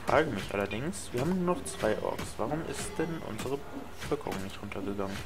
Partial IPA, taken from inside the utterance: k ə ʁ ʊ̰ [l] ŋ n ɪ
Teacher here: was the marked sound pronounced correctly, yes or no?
no